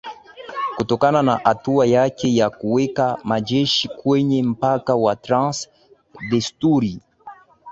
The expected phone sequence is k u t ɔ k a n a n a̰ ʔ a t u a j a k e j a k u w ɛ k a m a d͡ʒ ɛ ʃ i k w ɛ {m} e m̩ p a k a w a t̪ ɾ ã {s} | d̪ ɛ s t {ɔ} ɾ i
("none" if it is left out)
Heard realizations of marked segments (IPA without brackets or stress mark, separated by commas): ɲ, s, u